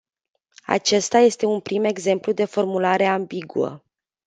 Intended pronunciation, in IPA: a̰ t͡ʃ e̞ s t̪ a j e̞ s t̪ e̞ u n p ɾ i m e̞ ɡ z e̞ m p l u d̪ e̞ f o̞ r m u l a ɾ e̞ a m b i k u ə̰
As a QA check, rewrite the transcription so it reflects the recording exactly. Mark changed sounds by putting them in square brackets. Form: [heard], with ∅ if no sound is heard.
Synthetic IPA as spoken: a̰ t͡ʃ e̞ s t̪ a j e̞ s t̪ e̞ u n p ɾ i m e̞ ɡ z e̞ m p l u d̪ e̞ f o̞ r m u l a ɾ e̞ a m b i [ɡ] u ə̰